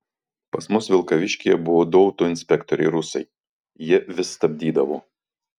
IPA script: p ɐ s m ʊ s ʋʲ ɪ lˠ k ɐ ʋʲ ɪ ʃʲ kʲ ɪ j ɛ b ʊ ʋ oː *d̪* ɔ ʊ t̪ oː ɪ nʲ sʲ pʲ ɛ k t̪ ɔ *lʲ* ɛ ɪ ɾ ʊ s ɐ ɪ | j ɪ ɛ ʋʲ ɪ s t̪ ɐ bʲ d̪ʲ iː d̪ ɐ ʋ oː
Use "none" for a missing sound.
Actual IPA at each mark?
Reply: d̪, ɾʲ

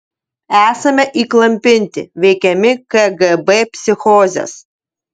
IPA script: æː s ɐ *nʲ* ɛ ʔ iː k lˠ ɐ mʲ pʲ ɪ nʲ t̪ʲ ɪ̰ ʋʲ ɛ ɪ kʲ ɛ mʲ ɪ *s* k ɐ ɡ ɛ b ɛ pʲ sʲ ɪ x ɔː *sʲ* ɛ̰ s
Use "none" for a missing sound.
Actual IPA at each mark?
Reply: mʲ, none, zʲ

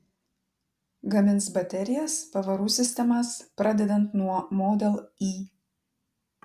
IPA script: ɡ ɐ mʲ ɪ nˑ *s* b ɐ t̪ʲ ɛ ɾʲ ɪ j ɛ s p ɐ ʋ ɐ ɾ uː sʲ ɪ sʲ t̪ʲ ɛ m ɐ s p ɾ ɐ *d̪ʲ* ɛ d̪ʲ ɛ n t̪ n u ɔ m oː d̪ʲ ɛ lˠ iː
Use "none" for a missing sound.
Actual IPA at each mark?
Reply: s, d̪ʲ

